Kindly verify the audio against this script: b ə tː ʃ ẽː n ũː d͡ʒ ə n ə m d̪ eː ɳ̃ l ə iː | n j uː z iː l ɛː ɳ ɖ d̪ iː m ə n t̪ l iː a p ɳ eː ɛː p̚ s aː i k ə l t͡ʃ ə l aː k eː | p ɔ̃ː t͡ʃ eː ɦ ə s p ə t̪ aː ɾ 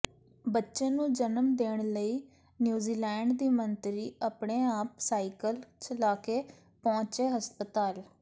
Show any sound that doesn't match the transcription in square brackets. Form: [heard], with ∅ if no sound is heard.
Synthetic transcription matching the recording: b ə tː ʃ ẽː n ũː d͡ʒ ə n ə m d̪ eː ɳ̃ l ə iː | n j uː z iː l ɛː ɳ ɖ d̪ iː m ə n t̪ [ɾ] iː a p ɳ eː [aː] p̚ s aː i k ə l t͡ʃ ə l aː k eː | p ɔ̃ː t͡ʃ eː ɦ ə s p ə t̪ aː [l]